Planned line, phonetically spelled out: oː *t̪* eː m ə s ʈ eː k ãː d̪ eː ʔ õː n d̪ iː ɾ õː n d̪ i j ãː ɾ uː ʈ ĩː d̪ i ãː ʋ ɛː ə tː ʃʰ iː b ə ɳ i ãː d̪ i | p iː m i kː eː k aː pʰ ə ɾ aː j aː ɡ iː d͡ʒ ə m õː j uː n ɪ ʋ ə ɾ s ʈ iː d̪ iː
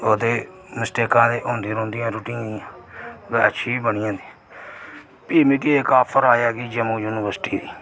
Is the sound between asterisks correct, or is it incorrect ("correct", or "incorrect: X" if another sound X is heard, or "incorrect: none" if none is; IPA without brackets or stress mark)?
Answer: incorrect: d̪